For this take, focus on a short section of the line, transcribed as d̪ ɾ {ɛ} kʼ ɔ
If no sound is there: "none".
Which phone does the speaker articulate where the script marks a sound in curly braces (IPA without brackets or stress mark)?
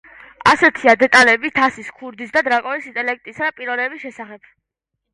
a